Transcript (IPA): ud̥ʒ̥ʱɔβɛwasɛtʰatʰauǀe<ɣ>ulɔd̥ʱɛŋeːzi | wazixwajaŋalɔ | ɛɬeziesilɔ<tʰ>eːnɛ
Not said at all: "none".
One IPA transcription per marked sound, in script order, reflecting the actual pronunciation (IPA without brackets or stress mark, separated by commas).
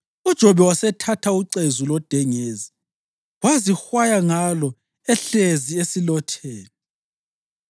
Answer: z, tʰ